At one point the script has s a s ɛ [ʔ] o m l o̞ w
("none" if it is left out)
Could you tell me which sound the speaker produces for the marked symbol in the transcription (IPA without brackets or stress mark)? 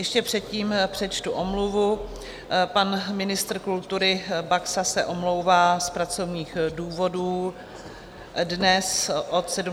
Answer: ʔ